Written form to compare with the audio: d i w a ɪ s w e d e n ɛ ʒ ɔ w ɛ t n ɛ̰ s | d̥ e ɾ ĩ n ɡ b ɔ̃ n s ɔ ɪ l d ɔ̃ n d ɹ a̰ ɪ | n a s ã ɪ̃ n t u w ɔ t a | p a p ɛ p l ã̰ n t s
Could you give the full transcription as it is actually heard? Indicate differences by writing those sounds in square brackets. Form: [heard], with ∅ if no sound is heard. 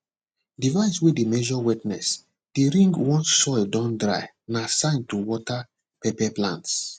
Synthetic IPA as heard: d i [v] a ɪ s w e d e [m] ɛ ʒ ɔ w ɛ t n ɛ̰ s | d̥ e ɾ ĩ [ŋ] ɡ [w] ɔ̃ n s ɔ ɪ l d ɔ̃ n d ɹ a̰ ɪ | n a s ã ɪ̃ n t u w ɔ t a | p [ɛ] p ɛ p l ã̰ n t s